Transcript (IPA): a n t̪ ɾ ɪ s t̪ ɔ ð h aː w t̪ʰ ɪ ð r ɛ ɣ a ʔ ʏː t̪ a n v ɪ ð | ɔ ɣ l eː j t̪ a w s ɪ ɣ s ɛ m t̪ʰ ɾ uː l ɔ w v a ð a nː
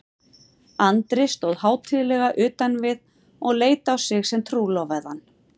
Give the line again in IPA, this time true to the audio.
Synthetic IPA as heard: a n t̪ ɾ ɪ s t̪ ɔ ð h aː w t̪ʰ ɪ ð l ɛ ɣ a ʔ ʏː t̪ a n v ɪ ð | ɔ ɣ l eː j t̪ a w s ɪ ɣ s ɛ m t̪ʰ ɾ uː l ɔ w v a ð a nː